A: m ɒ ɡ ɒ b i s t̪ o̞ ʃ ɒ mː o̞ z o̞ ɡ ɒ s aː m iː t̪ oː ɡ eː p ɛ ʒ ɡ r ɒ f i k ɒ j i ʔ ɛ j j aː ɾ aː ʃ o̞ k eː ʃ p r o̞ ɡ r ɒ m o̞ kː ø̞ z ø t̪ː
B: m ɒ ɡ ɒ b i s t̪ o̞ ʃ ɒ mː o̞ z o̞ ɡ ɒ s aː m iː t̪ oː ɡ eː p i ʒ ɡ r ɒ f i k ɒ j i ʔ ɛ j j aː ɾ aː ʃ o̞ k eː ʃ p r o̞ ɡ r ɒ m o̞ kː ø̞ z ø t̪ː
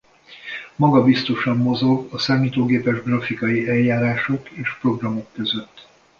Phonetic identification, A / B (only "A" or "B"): A